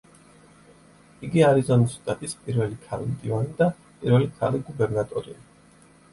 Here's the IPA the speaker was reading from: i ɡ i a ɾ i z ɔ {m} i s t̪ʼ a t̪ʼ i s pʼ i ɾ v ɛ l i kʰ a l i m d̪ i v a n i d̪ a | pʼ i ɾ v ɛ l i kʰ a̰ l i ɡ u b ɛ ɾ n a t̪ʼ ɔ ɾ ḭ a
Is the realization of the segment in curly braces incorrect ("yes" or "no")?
yes